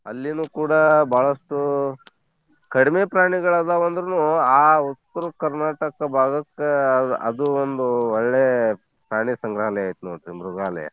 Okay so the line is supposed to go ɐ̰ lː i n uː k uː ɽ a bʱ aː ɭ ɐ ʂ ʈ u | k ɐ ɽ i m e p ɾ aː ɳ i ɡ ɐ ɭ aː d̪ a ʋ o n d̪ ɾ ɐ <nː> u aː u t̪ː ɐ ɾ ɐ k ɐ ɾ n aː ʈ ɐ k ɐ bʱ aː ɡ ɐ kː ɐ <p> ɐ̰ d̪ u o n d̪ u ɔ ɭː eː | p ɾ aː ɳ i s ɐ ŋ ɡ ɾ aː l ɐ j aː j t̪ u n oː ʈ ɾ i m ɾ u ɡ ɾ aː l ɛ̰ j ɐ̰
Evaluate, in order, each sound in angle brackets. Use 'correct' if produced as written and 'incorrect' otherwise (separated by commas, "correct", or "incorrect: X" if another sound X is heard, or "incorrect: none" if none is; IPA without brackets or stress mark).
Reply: incorrect: n, incorrect: none